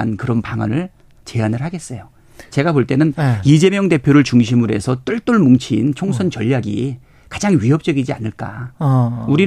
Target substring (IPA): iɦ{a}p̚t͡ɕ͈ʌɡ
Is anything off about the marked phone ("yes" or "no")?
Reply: yes